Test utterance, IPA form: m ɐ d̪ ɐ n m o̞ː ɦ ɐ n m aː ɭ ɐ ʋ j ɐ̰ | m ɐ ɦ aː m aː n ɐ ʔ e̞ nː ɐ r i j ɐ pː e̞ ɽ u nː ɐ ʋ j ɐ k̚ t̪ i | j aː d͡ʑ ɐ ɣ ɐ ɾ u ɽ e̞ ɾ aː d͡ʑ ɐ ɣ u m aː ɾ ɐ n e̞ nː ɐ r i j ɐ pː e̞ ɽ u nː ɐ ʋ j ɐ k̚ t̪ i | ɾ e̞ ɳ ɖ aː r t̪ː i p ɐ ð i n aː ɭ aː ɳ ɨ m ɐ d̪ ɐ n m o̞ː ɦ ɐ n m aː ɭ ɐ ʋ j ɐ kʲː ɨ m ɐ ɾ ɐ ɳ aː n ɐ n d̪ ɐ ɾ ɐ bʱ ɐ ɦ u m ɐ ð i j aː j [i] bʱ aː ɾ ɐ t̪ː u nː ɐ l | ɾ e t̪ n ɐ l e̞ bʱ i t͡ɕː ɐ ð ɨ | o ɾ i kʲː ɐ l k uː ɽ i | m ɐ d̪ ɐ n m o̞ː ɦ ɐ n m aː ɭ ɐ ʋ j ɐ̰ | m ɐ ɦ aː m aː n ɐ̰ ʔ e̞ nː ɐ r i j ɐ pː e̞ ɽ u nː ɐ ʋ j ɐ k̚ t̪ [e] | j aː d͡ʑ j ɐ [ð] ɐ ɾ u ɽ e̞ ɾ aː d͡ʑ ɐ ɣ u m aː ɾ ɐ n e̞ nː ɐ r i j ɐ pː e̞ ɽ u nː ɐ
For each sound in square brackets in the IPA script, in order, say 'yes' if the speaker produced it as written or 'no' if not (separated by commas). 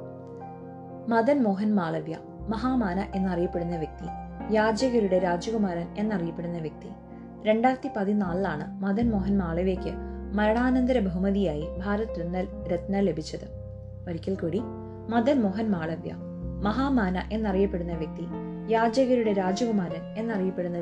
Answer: yes, no, no